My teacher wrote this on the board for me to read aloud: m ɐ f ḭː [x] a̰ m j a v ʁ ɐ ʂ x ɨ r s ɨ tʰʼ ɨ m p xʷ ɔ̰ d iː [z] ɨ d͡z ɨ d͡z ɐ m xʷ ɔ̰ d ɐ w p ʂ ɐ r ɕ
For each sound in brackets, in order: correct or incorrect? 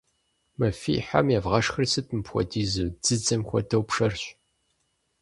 incorrect, correct

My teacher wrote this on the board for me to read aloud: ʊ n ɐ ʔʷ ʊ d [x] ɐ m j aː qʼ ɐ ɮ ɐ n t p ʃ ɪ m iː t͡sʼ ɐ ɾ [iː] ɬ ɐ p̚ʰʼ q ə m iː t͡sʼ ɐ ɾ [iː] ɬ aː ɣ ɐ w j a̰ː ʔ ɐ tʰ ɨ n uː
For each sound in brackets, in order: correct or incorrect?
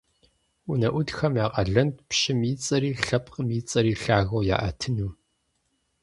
correct, correct, correct

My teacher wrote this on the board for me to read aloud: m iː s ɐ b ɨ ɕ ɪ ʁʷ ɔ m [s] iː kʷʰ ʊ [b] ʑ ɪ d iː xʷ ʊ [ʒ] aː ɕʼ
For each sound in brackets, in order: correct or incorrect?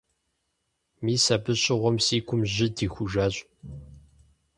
correct, incorrect, correct

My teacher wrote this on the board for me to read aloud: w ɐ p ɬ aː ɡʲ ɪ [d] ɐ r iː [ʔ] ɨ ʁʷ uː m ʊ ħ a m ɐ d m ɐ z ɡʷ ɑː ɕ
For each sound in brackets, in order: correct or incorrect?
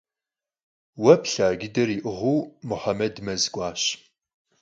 correct, correct

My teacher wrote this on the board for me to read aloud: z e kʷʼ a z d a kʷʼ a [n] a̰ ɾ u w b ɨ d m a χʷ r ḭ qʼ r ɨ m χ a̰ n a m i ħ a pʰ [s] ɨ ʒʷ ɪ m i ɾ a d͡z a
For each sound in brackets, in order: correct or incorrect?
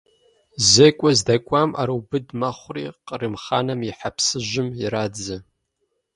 incorrect, correct

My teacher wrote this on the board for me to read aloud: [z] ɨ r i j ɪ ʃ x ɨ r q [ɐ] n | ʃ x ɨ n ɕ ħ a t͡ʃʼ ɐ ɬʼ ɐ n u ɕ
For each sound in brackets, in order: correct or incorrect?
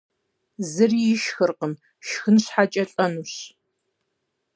correct, incorrect

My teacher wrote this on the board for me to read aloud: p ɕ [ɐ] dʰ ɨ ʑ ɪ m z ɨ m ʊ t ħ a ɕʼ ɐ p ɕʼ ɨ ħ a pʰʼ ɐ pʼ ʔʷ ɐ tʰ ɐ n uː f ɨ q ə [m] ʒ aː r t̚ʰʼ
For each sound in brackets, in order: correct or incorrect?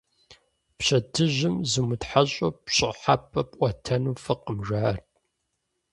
correct, correct

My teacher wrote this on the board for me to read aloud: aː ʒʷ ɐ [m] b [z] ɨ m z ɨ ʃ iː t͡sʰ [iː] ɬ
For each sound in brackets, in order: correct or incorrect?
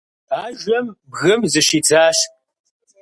correct, incorrect, incorrect

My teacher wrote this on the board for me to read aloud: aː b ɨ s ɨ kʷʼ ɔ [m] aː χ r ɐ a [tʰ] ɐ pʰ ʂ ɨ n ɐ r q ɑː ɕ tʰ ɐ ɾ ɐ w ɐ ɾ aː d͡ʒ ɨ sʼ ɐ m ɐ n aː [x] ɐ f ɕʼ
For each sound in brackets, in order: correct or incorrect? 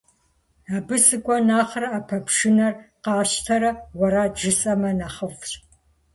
incorrect, incorrect, incorrect

